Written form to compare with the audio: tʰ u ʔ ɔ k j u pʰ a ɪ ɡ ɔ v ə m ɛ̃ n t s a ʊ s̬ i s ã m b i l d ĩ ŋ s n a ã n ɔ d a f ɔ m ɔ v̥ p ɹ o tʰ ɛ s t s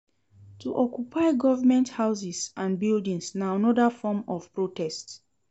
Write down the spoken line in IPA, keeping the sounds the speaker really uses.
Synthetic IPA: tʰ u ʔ ɔ k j u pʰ a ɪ ɡ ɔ v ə m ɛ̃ n t h a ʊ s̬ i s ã n b i l d ĩ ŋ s n a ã n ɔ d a f ɔ m ɔ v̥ p ɹ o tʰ ɛ s t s